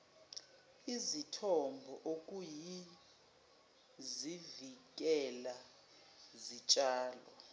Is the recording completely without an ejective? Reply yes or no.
no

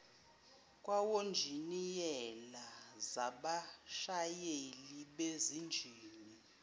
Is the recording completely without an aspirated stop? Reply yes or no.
yes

